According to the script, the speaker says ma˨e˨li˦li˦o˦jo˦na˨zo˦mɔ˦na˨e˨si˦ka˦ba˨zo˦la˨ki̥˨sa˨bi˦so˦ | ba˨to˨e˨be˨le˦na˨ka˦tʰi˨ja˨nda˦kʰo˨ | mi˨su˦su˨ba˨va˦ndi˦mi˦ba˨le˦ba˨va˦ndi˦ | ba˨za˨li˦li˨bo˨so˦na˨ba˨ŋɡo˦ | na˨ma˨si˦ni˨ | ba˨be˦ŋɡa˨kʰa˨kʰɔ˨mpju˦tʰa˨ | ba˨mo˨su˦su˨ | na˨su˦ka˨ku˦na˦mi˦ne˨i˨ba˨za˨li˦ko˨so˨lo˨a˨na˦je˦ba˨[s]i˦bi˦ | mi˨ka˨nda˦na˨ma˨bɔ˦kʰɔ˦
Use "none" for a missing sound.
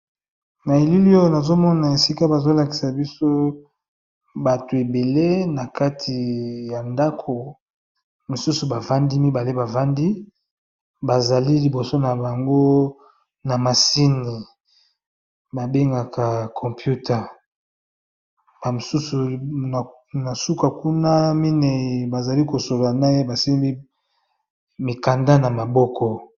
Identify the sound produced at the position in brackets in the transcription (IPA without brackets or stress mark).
s